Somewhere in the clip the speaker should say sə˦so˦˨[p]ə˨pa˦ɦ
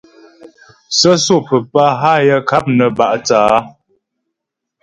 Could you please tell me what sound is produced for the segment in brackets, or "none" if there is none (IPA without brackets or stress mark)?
p